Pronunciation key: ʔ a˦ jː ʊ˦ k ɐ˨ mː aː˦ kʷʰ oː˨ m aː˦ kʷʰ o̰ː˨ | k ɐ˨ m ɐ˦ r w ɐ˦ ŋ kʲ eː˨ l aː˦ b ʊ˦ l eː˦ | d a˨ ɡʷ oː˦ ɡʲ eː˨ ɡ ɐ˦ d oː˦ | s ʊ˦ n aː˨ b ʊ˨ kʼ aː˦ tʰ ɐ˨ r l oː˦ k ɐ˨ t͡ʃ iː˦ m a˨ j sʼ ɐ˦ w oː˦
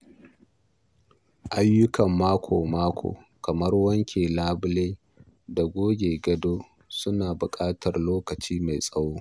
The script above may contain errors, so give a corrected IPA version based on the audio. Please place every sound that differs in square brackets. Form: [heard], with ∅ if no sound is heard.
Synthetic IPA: ʔ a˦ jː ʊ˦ k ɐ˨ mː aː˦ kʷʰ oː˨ m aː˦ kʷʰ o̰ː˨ | k ɐ˨ m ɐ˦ r w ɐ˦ ŋ kʲ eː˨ l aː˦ b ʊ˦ l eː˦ | d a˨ ɡʷ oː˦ ɡʲ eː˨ ɡ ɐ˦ d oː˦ | s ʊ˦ n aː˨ b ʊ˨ kʼ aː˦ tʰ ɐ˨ r l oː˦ k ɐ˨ t͡ʃ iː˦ m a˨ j sʼ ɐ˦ w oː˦